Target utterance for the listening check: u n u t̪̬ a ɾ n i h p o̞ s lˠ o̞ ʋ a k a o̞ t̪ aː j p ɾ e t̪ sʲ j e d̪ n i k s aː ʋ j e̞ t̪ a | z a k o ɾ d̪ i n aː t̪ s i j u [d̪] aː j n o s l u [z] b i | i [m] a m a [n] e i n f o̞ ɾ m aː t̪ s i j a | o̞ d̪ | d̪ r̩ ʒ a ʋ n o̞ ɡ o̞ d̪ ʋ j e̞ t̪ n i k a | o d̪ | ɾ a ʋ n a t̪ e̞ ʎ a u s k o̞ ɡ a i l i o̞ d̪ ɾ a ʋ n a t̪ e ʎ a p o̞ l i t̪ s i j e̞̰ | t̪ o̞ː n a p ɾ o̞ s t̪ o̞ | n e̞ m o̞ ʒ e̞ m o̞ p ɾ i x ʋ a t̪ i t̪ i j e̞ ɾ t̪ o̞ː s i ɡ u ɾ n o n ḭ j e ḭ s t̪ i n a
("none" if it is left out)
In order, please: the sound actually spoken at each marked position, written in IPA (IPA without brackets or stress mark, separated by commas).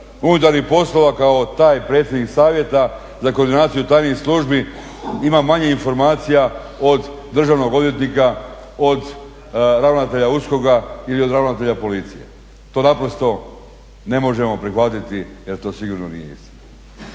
t̪, ʒ, m, ɲ